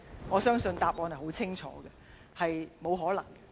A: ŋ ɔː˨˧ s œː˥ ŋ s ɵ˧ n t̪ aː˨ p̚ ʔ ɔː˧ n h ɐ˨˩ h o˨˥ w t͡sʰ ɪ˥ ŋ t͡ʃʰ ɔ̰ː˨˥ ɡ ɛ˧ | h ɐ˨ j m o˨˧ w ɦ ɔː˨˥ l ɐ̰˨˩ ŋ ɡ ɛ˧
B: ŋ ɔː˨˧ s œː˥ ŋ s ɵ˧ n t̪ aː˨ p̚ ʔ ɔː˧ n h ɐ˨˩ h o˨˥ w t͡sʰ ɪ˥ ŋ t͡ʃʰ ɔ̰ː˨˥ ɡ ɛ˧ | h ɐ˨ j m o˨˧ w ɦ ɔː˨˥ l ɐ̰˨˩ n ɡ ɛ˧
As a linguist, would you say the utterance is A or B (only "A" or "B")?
A